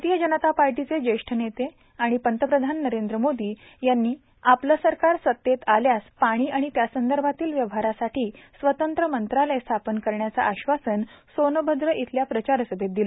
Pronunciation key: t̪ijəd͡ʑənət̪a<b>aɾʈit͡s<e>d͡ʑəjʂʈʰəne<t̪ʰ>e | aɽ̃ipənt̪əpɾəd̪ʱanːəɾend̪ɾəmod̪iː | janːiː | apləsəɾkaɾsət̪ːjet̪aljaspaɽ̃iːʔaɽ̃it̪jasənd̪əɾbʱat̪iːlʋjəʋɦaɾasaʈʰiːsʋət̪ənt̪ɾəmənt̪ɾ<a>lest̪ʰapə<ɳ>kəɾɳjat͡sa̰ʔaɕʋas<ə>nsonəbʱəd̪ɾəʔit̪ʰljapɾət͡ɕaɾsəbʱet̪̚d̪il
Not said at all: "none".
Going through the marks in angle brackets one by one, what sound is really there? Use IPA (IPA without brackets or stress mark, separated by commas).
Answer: p, e, t̪, a, n, ə